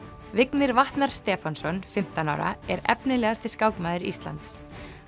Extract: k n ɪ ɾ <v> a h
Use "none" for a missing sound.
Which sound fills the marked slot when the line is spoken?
v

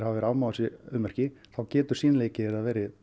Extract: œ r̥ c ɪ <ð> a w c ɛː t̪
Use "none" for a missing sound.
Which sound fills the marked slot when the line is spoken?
θ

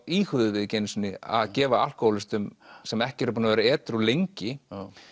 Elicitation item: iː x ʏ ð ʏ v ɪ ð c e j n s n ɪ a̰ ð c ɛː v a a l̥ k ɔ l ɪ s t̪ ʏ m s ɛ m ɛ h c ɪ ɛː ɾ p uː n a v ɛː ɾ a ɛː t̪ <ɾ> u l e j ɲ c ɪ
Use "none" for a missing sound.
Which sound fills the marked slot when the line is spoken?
ɾ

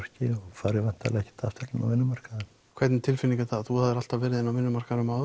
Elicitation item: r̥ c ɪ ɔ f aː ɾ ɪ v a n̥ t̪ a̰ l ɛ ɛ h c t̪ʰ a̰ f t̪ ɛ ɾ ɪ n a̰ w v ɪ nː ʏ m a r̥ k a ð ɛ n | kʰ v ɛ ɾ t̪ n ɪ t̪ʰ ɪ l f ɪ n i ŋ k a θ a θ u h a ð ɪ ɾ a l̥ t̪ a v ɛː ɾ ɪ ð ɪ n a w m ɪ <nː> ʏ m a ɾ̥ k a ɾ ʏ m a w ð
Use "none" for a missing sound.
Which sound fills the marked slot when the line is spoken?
nː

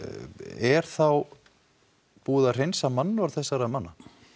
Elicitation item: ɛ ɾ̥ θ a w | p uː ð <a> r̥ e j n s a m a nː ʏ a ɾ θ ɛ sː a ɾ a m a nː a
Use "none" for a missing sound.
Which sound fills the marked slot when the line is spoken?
a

